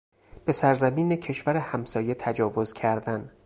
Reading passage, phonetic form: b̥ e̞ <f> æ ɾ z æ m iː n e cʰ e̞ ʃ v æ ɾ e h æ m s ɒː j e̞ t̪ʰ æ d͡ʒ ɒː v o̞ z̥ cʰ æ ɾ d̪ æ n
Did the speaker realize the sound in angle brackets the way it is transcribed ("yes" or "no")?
no